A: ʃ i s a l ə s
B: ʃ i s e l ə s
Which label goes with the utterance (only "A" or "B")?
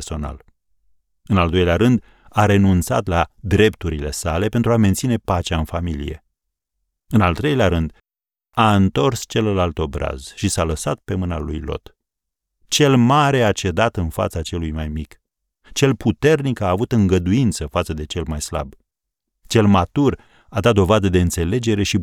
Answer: A